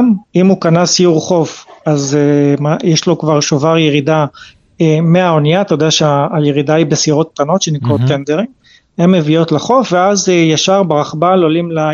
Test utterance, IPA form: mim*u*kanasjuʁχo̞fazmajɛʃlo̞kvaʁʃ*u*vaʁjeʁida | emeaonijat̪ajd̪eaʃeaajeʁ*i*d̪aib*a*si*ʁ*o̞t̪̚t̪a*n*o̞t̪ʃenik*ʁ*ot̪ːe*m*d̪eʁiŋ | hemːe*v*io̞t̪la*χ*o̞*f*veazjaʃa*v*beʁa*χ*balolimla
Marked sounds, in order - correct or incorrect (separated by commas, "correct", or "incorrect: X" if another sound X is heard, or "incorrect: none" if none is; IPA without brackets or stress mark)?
correct, incorrect: o, correct, incorrect: e, correct, correct, correct, incorrect: n, correct, correct, correct, incorrect: ʁ, correct